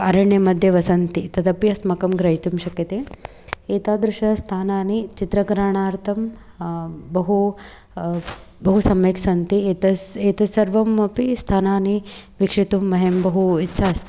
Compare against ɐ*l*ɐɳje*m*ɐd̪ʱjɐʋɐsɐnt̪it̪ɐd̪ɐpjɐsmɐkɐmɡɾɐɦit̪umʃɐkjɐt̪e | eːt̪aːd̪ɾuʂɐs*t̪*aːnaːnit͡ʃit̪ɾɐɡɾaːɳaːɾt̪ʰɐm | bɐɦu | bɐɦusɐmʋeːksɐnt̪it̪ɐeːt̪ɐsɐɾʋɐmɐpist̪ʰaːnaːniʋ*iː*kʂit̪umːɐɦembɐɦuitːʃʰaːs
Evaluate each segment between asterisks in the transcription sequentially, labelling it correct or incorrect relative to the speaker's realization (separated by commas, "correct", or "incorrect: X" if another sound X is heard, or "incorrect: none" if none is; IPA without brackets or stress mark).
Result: incorrect: ɾ, correct, incorrect: t̪ʰ, incorrect: i